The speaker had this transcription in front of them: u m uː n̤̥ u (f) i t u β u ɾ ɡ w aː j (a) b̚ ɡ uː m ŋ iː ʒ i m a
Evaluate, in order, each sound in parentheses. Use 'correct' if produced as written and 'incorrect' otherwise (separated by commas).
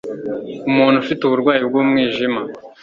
correct, incorrect